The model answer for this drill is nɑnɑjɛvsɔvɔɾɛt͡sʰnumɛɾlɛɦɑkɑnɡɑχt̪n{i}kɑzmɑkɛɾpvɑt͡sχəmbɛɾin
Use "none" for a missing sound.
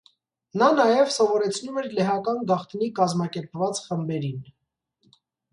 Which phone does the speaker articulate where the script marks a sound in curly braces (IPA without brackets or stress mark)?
i